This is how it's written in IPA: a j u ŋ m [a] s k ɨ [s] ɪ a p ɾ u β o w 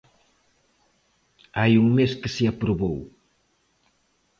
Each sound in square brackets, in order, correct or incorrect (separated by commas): incorrect, correct